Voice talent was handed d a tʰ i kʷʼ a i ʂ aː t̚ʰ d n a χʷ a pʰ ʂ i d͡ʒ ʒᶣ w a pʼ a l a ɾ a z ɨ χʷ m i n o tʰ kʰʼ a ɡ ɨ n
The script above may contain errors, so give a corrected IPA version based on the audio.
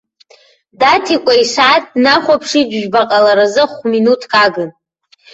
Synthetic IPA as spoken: d a tʰ i kʷʼ a i ʂ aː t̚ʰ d n a χʷ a pʰ ʂ i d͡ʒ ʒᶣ b a qʼ a l a ɾ a z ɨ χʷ m i n u tʰ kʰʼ a ɡ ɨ n